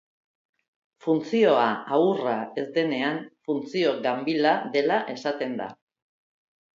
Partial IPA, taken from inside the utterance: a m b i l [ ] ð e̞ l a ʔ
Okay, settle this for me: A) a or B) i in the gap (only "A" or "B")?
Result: A